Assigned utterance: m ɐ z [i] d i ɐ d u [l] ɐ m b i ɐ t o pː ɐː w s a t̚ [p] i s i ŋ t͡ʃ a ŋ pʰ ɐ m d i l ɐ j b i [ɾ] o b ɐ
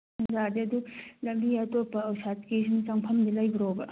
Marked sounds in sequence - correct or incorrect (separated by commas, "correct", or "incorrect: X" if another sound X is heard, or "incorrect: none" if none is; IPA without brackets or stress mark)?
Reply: incorrect: a, correct, incorrect: k, correct